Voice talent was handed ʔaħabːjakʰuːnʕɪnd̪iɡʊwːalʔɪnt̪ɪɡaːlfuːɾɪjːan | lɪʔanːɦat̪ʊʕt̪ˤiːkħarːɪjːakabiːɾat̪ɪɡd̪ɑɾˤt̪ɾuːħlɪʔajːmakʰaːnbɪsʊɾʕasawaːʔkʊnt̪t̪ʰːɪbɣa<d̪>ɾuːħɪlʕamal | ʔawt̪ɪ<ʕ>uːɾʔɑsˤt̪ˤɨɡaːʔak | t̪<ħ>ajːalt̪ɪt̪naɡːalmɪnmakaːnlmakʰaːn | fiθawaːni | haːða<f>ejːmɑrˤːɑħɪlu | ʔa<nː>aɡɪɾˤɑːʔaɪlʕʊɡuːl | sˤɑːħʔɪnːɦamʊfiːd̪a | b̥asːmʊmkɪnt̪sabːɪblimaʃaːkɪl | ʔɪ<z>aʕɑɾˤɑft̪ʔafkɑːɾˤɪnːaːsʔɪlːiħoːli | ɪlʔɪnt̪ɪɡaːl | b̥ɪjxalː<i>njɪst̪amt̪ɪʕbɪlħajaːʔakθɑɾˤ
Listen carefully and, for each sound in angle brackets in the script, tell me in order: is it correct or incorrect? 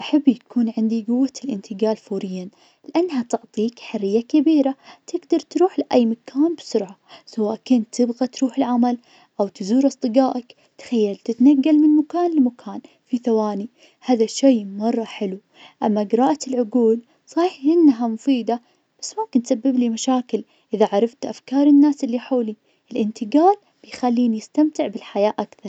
incorrect, incorrect, incorrect, incorrect, incorrect, incorrect, incorrect

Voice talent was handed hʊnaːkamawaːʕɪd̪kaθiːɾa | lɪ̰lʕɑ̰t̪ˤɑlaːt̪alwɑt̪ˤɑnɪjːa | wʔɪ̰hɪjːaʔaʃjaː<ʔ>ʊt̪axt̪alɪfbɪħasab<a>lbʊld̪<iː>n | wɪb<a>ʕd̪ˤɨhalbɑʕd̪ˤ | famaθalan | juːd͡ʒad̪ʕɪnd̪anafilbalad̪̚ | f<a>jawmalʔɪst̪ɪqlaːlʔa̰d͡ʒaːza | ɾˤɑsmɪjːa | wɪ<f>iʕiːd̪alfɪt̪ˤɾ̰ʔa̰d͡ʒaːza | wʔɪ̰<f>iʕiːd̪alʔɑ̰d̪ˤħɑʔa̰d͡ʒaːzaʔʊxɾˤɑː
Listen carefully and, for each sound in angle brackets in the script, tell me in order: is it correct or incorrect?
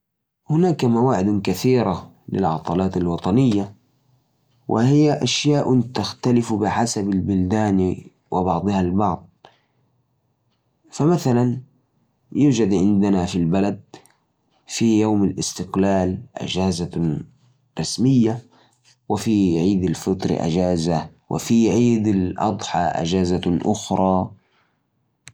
correct, correct, incorrect, incorrect, incorrect, correct, correct

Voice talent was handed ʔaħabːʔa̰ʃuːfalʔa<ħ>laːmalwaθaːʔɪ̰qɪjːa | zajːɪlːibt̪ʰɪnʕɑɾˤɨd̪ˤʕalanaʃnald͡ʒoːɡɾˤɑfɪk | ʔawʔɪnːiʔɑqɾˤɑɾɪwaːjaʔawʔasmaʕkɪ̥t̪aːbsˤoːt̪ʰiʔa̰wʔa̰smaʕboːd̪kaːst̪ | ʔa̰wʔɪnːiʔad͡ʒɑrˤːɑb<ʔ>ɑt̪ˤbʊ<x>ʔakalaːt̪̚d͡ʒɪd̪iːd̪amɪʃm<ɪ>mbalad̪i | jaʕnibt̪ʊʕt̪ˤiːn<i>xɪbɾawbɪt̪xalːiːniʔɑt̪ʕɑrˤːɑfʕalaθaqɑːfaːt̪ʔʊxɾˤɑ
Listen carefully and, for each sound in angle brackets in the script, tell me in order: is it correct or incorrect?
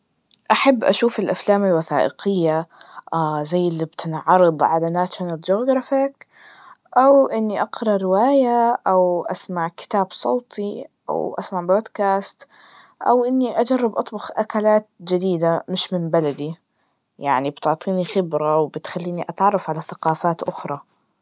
incorrect, correct, correct, correct, correct

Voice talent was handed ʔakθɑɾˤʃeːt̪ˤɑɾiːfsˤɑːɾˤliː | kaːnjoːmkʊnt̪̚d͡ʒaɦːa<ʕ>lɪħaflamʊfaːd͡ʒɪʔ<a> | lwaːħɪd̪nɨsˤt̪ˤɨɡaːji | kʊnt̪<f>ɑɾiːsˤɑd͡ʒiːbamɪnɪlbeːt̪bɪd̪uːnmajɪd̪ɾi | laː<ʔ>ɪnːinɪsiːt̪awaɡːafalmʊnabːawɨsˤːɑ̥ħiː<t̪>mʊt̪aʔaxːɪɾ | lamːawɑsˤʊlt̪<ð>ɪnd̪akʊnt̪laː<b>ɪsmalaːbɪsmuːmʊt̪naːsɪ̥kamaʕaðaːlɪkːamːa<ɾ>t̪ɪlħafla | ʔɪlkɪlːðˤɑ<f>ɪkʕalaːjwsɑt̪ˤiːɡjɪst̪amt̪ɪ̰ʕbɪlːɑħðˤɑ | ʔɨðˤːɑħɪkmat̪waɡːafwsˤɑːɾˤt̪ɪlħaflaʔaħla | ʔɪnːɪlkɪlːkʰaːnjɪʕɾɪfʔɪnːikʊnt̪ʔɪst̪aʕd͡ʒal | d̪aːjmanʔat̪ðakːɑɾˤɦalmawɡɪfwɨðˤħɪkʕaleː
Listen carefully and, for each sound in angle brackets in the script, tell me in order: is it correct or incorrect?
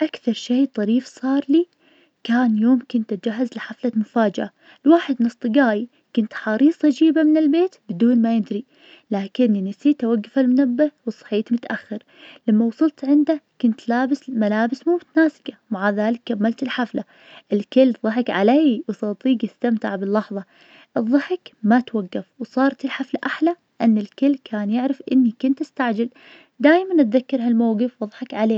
incorrect, correct, incorrect, incorrect, correct, incorrect, correct, incorrect, incorrect

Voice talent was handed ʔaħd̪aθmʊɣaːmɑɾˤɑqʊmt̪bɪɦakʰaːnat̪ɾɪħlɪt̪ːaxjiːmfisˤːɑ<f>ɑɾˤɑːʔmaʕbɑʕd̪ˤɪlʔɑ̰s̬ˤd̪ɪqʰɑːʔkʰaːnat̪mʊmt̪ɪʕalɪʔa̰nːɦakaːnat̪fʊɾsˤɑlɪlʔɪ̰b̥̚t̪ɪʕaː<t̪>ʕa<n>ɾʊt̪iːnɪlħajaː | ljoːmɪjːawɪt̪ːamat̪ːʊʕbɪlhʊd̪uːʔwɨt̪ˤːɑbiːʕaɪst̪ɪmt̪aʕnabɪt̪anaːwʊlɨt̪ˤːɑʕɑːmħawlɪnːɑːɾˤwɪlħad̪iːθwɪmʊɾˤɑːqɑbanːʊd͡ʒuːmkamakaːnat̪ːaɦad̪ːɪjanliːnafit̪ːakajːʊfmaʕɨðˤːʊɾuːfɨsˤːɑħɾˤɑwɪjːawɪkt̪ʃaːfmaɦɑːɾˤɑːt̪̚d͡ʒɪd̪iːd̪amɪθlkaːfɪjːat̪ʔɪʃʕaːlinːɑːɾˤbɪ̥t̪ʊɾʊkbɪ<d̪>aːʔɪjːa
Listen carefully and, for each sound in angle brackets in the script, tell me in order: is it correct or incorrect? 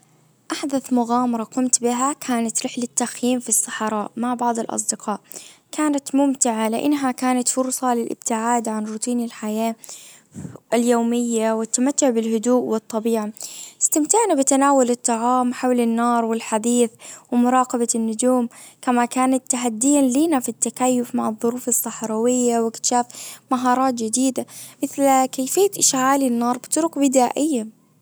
incorrect, incorrect, correct, correct

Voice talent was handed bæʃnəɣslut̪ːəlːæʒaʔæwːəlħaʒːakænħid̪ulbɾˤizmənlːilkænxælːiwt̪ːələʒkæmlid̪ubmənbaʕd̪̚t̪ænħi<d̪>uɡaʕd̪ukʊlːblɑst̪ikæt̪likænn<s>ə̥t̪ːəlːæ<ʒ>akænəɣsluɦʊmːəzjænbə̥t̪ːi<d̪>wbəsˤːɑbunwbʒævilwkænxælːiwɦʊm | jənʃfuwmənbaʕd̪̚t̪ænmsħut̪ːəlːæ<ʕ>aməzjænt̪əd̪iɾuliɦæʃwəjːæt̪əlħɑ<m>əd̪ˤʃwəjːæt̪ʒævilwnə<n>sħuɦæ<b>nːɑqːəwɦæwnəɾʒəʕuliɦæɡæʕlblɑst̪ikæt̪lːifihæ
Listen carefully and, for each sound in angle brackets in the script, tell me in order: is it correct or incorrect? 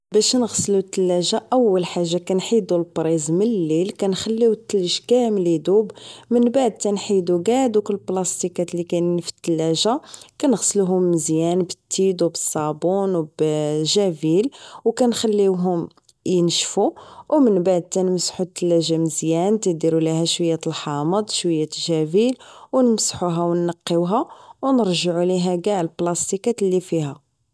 correct, incorrect, correct, correct, incorrect, correct, incorrect, incorrect

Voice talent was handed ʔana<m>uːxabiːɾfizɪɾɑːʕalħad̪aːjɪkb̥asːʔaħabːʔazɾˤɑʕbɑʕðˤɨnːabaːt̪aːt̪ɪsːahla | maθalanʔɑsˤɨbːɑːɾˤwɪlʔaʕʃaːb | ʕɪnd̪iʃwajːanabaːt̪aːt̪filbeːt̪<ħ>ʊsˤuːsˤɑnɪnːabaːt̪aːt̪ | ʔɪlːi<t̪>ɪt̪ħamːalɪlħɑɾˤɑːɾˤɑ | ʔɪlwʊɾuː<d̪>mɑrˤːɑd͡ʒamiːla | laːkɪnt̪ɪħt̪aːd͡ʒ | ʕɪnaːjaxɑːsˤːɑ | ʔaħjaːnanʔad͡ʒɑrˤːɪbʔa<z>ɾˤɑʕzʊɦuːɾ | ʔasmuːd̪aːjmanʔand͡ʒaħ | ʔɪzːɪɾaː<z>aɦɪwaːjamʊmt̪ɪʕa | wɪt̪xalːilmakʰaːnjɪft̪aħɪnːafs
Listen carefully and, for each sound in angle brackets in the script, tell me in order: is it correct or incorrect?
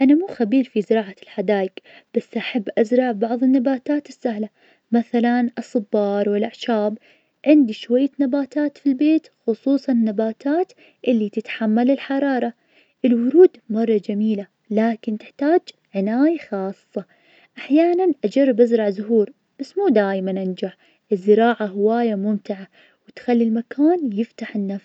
correct, incorrect, correct, correct, correct, incorrect

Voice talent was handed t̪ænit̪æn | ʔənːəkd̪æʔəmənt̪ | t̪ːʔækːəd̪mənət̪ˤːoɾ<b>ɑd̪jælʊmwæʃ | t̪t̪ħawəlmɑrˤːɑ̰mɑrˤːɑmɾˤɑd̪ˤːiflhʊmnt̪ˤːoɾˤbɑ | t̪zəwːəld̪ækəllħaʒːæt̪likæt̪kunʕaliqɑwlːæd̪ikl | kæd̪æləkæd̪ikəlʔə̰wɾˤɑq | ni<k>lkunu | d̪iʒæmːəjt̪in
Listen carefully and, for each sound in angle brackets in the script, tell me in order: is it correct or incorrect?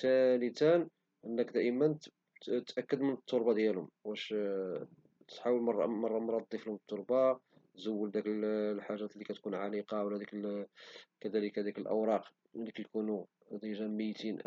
correct, correct

